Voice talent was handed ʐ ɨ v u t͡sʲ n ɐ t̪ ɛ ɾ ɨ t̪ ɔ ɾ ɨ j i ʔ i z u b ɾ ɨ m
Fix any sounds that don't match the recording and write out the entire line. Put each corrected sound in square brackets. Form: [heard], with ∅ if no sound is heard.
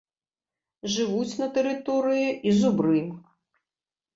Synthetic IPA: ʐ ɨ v u t͡sʲ n ɐ t̪ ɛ ɾ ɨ t̪ ɔ ɾ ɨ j i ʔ i z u b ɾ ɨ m